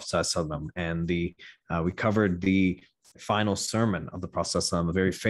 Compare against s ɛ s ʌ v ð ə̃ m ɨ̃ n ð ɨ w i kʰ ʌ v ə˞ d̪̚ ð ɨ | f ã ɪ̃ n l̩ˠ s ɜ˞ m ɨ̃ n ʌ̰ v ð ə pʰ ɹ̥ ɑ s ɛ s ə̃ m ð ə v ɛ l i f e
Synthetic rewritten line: s ɛ s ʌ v ð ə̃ m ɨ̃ n ð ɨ w i kʰ ʌ v ə˞ d̪̚ ð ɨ | f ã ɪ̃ n l̩ˠ s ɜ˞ m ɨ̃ n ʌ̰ v ð ə pʰ ɹ̥ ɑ s ɛ s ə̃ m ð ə v ɛ ɹ i f e